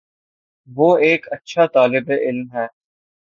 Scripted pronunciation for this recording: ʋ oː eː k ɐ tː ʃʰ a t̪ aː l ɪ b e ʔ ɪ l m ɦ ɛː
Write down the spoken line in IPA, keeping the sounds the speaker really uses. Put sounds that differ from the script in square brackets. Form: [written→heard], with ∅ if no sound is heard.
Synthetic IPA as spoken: ʋ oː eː k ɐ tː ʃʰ a t̪ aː l ɪ b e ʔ ɪ l m ɦ ɛː